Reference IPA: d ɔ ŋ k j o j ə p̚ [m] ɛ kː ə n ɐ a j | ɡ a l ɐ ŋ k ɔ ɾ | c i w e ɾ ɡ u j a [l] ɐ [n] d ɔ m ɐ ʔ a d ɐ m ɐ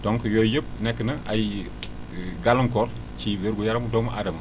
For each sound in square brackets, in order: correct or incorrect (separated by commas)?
incorrect, incorrect, incorrect